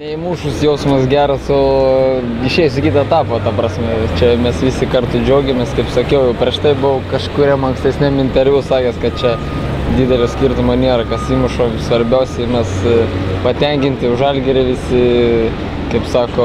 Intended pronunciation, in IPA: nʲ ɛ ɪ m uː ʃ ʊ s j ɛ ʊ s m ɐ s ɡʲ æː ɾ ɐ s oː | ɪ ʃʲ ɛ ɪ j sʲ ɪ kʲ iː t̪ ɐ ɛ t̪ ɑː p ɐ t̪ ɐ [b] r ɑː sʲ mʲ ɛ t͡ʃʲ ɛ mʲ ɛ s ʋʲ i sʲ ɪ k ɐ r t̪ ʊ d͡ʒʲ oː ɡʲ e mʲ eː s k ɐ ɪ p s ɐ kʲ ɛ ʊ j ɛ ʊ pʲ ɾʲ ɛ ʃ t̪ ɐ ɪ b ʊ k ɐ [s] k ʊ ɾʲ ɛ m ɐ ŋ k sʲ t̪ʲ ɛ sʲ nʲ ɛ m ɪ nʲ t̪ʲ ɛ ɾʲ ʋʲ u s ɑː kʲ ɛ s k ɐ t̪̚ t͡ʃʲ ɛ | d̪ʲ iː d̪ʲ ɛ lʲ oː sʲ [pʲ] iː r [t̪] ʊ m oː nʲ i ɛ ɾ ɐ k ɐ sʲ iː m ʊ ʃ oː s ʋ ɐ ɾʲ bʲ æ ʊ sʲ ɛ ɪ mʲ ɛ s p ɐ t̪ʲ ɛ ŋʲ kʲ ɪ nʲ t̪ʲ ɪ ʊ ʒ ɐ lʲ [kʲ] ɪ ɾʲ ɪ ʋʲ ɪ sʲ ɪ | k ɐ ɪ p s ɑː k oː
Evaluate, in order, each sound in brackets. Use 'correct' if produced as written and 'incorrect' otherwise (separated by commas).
incorrect, incorrect, incorrect, correct, incorrect